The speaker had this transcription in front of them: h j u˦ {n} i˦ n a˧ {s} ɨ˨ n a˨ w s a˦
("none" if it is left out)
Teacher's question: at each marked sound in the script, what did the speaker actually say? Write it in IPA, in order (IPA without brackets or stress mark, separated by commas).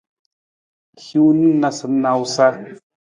n, s